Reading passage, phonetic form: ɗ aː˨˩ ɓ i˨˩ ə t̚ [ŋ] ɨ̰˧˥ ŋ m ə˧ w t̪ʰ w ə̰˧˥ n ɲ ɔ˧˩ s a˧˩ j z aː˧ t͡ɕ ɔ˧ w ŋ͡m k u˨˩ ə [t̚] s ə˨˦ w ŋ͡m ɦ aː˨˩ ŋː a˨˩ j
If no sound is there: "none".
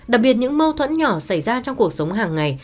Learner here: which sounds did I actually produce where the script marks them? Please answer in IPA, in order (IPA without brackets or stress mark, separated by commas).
ɲ, k̚